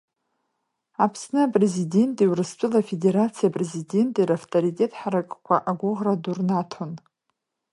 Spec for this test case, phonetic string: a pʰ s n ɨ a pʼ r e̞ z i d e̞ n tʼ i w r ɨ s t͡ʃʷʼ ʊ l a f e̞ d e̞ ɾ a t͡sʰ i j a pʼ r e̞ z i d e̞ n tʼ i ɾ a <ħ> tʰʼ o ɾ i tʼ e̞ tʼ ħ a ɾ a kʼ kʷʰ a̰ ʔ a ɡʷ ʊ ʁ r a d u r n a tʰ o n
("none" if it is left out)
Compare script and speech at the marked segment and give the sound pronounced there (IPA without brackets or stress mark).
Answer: f